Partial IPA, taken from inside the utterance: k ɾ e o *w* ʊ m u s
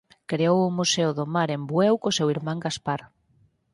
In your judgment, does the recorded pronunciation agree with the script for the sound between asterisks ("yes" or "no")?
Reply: yes